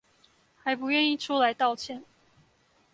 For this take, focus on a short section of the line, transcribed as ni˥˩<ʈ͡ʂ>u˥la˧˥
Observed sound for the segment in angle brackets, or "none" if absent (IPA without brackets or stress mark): ʈ͡ʂʰ